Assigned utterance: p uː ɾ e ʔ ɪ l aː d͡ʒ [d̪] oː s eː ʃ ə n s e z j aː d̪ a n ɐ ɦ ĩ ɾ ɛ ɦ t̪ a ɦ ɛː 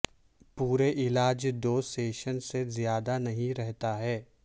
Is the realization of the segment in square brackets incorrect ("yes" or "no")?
no